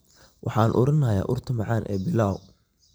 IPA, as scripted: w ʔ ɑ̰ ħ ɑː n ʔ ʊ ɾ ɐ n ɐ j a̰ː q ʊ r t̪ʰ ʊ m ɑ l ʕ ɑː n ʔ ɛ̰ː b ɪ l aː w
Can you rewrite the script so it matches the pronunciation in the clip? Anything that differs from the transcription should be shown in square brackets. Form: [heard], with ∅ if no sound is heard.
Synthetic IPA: w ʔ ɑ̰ ħ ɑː n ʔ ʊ ɾ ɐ n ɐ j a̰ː [ʔ] ʊ r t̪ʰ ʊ m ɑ [∅] ʕ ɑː n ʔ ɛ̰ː b ɪ l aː w